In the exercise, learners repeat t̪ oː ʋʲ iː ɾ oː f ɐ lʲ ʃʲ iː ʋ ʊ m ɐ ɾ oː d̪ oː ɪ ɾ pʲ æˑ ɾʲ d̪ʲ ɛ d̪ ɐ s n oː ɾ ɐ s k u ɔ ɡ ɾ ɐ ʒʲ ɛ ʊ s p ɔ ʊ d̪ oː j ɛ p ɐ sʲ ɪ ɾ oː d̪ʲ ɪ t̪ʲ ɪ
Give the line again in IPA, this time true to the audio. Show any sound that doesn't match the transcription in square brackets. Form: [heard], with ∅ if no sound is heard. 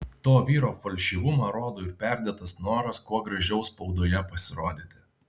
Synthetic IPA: t̪ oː ʋʲ iː ɾ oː f ɐ lʲ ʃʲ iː ʋ ʊ m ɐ ɾ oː d̪ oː ɪ ɾ pʲ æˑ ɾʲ d̪ʲ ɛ [t̪] ɐ s n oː ɾ ɐ s k u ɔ ɡ ɾ ɐ ʒʲ ɛ ʊ s p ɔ ʊ d̪ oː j ɛ p ɐ sʲ ɪ ɾ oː d̪ʲ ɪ t̪ʲ ɪ